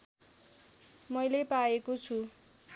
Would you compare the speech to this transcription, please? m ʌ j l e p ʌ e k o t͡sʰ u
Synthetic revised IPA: m ʌ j l e p a e k o t͡sʰ u